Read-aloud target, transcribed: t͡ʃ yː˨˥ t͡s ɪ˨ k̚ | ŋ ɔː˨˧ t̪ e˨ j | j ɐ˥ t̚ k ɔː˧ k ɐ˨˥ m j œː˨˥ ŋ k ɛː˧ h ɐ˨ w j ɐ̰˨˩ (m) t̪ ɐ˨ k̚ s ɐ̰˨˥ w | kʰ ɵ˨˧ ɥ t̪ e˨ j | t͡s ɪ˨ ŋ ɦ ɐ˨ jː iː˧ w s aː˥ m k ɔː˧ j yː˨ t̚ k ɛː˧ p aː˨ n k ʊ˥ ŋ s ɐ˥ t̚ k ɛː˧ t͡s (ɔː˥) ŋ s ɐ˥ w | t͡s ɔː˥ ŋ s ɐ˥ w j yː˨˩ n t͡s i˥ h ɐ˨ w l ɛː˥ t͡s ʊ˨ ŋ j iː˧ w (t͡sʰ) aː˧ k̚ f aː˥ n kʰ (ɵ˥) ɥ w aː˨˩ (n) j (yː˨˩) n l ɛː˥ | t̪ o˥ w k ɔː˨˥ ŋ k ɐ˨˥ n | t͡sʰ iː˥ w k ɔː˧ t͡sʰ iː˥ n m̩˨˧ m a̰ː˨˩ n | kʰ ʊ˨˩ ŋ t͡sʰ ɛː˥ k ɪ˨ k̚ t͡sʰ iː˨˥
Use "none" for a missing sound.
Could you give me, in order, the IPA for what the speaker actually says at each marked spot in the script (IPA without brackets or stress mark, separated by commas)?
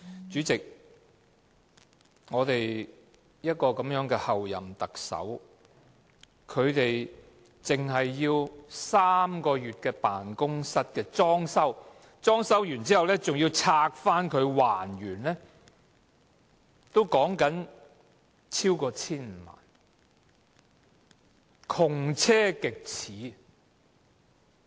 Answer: m, ɔː˥, t͡sʰ, ɵ˨˧, n, yː˨˩